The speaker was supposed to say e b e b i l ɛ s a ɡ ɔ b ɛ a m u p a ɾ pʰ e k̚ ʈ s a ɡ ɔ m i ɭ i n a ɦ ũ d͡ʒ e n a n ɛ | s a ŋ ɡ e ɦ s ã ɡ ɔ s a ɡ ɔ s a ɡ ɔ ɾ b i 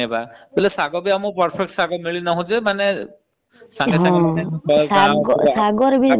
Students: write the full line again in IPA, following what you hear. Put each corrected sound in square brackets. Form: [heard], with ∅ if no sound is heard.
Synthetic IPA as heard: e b [a] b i l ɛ s a ɡ ɔ b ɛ a m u p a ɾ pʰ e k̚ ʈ s a ɡ ɔ m i ɭ i n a ɦ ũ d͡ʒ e [m] a n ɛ | s a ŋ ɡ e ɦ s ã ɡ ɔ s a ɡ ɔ s a ɡ ɔ ɾ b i

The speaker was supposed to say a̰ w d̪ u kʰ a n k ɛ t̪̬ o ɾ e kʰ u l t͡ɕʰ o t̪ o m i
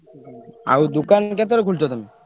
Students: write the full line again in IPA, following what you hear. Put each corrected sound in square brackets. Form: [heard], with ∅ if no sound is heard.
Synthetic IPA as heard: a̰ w d̪ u [k] a n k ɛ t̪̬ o ɾ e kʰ u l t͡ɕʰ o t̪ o m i

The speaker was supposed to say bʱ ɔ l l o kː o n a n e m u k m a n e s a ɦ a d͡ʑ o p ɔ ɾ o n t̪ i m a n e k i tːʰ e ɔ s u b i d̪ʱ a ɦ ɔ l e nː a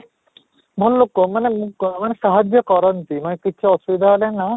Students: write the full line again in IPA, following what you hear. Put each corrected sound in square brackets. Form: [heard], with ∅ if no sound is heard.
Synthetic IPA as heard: bʱ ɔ l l o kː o [m] a n e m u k m a n e [ʃ] a ɦ a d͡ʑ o [k] ɔ ɾ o n t̪ i m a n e k i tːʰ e ɔ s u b i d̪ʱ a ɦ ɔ l e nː a

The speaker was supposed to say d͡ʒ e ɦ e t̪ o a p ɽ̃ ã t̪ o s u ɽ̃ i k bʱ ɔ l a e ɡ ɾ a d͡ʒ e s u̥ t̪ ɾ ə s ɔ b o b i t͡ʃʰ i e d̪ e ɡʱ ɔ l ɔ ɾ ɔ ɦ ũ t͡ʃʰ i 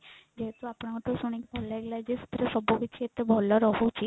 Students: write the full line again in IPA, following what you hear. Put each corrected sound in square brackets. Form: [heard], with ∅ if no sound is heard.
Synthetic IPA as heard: d͡ʒ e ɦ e t̪ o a p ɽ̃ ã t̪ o s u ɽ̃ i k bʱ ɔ l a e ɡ [l] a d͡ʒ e s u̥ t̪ ɾ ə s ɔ b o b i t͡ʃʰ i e [t̪] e [bʱ] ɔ l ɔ ɾ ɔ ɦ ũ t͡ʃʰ i

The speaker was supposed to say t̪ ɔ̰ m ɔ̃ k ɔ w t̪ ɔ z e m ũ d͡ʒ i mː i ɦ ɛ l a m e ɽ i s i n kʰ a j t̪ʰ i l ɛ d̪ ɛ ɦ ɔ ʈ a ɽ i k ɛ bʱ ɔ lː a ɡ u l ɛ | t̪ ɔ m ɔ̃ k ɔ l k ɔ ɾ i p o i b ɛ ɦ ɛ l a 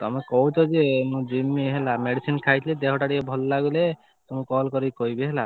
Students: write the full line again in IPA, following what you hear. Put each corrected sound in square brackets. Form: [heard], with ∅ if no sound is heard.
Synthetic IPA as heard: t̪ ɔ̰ m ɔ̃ k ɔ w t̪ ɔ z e m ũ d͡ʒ i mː i ɦ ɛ l a m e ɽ i s i n kʰ a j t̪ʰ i l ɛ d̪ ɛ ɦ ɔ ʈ a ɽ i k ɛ bʱ ɔ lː a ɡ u l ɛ | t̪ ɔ m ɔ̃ k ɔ l k ɔ ɾ i [k] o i b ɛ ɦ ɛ l a

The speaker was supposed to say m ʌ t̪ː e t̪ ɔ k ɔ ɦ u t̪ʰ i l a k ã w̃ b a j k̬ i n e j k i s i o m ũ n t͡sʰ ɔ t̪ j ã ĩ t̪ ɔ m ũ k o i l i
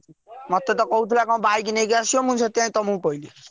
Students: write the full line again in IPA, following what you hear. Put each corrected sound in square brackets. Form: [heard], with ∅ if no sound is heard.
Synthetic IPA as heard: m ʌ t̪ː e t̪ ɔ k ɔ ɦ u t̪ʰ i l a k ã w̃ b a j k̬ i n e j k [a] s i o m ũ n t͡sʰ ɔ t̪ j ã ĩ t̪ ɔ m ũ k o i l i

